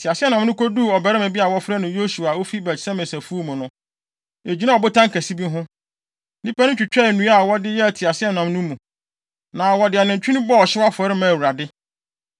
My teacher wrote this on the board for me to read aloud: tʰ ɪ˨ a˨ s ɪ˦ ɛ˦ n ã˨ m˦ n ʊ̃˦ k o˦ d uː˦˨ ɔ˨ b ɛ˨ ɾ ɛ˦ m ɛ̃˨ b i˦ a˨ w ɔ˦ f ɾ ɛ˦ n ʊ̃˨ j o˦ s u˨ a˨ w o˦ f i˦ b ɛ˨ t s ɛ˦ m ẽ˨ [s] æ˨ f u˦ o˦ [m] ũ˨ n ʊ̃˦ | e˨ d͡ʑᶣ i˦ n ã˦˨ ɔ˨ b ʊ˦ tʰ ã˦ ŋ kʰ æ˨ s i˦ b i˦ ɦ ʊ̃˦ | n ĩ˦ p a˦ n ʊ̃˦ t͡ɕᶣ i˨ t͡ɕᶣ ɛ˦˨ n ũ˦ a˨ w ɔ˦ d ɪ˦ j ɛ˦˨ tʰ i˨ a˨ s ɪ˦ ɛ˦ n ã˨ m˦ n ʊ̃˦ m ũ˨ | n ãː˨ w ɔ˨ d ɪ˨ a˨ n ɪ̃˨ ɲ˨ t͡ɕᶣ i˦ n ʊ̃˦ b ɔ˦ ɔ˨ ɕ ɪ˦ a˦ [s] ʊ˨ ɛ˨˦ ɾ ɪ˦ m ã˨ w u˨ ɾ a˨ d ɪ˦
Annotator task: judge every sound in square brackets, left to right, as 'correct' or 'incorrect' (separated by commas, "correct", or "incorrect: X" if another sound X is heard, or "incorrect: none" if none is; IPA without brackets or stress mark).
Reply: correct, correct, incorrect: f